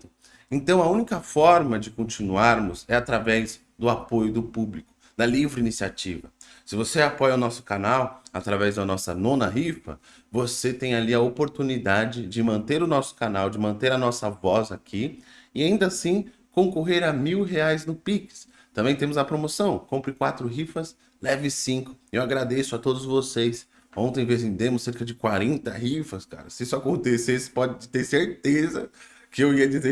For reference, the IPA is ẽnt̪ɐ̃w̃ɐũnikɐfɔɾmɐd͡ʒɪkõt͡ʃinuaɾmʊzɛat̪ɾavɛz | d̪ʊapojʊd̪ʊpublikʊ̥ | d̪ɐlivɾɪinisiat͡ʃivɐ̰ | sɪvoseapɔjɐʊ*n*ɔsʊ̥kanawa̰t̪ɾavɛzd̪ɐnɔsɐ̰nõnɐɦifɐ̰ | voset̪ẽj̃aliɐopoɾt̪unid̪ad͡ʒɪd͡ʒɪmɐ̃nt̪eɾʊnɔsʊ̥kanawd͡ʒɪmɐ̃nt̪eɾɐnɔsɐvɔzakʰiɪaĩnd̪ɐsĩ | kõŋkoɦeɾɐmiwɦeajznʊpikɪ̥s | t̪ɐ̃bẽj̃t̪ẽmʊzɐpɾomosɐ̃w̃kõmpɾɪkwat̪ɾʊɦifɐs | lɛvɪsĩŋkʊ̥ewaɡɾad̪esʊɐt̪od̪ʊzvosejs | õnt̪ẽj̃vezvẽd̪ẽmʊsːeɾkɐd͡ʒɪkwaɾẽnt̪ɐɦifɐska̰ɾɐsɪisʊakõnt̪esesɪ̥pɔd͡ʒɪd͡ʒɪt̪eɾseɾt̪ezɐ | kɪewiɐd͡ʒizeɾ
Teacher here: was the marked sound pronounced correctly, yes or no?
yes